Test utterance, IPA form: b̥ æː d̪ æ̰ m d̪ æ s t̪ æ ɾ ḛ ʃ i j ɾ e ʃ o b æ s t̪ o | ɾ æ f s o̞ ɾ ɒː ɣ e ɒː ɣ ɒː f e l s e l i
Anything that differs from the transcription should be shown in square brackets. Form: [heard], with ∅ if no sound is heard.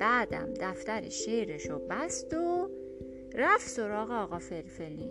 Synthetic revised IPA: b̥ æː d̪ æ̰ m d̪ æ [f] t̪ æ ɾ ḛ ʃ [e] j ɾ e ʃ o b æ s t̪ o | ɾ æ f s o̞ ɾ ɒː ɣ e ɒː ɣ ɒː f e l [f] e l i